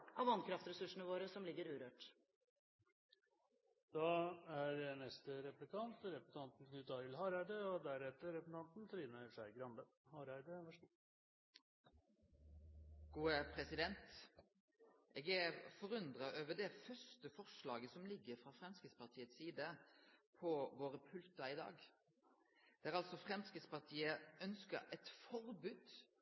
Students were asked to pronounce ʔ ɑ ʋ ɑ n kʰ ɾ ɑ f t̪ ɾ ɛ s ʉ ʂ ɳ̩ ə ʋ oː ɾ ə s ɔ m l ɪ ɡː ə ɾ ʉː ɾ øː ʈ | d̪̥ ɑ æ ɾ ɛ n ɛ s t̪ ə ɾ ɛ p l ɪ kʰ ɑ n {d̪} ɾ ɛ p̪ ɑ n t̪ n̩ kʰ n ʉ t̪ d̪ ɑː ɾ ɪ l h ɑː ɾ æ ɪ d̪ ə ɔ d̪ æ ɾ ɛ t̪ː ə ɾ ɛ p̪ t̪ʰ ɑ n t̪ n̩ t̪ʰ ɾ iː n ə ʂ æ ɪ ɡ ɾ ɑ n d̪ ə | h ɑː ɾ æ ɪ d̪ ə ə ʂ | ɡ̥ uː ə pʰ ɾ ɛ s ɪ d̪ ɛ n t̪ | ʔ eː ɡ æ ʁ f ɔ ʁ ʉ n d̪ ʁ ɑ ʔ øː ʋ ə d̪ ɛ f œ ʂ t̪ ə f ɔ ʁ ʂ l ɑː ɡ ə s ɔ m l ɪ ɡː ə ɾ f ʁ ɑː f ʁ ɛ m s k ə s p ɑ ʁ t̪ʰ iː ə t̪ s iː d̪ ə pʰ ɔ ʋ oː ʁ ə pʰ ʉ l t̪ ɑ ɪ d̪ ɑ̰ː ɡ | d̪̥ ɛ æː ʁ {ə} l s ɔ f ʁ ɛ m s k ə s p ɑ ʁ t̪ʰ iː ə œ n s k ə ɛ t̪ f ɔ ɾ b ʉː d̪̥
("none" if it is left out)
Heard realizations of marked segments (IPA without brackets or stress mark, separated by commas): t̪, ɑ